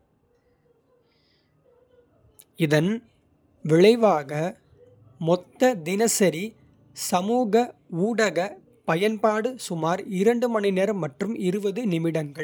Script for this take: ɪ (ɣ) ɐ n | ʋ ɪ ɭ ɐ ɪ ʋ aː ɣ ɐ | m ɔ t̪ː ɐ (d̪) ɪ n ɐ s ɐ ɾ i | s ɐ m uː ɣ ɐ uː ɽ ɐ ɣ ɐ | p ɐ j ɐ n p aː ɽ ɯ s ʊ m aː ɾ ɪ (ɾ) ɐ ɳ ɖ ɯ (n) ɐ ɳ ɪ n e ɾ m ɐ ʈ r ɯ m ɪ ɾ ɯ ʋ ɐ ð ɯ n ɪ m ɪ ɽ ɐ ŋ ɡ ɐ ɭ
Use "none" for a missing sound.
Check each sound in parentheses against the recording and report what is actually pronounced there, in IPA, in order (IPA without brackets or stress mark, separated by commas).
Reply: ð, d̪, ɾ, m